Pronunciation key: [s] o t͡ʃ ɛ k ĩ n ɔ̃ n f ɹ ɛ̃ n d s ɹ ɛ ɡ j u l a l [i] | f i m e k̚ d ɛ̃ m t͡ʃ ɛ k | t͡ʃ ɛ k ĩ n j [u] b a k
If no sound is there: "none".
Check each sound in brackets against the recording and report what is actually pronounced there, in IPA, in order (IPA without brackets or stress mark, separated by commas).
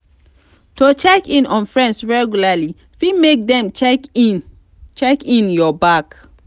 t, i, ɔ